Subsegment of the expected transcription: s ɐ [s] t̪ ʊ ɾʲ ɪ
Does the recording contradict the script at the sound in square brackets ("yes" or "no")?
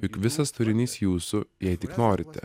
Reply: no